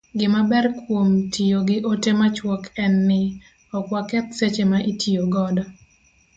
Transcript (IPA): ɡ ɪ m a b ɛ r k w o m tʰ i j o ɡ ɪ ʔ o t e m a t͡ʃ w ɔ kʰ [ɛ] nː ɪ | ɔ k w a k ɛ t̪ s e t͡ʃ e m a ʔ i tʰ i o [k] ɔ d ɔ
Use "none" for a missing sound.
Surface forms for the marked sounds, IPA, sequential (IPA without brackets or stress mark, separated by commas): ɛ, ɡ